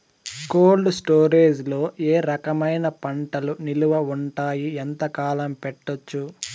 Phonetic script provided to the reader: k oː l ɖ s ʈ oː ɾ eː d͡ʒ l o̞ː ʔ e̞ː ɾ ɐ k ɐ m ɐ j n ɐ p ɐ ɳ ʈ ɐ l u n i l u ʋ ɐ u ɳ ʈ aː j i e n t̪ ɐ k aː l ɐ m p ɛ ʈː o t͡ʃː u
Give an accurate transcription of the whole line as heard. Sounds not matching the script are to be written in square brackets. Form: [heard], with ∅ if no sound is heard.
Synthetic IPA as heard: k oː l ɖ s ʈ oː ɾ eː d͡ʒ l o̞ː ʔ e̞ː ɾ ɐ k ɐ m ɐ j n ɐ p ɐ ɳ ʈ ɐ l u n i l u ʋ ɐ u ɳ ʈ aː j i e n t̪ ɐ k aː l ɐ m p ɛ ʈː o t͡ʃː u